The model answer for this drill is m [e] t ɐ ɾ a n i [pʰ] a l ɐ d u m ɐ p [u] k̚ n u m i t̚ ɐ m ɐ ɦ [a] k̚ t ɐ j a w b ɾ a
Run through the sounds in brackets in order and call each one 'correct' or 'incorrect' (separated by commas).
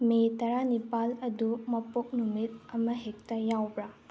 correct, incorrect, incorrect, incorrect